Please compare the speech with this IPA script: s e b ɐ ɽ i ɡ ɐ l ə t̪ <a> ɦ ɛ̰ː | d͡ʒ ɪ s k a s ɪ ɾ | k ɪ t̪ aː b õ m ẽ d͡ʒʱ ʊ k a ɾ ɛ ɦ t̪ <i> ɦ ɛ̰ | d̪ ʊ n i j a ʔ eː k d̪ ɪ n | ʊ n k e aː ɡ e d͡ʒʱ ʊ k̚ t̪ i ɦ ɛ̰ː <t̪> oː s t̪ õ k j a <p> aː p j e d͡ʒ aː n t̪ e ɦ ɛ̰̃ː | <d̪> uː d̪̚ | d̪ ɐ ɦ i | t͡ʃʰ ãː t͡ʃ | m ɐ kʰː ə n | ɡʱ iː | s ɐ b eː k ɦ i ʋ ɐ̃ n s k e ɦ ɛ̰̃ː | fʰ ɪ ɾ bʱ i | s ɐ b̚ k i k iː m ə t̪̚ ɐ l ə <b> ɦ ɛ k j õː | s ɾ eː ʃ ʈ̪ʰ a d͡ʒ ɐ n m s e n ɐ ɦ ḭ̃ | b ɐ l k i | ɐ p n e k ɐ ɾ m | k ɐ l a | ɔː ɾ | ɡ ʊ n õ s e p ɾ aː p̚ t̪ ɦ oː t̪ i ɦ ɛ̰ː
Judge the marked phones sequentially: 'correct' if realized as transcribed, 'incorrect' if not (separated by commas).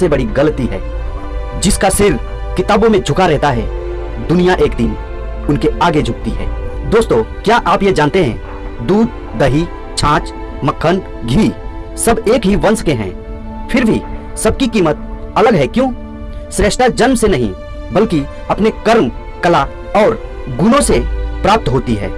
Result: incorrect, incorrect, incorrect, incorrect, correct, incorrect